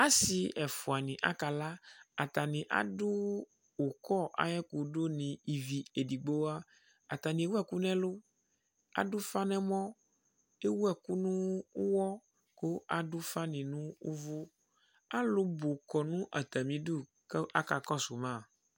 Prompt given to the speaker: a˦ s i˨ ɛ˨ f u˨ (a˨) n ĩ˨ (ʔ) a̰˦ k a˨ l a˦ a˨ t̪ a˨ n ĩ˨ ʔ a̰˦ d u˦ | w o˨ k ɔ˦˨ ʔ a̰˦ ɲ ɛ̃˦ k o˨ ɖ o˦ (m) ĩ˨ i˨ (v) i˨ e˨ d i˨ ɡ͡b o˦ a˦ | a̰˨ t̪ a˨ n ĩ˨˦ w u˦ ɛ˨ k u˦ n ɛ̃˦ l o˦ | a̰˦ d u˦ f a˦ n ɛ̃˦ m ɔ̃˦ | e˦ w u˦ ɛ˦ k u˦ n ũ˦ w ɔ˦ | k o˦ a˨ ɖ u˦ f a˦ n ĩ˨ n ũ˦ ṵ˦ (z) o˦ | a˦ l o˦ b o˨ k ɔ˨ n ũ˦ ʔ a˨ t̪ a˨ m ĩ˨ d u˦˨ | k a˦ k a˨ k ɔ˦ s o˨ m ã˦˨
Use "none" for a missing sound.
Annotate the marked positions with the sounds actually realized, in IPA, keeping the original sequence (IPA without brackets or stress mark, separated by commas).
a˨, ʔ, n, v, v